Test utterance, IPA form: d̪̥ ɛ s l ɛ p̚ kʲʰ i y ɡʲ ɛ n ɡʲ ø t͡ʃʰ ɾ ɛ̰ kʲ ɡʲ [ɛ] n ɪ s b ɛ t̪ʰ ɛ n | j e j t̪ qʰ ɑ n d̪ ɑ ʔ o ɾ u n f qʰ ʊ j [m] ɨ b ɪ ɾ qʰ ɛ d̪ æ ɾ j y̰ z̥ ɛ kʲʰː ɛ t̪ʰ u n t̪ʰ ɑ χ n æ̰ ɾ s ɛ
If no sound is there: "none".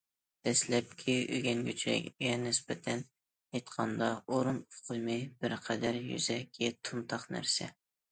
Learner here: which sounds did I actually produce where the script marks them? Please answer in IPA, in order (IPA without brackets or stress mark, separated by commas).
ɛ, m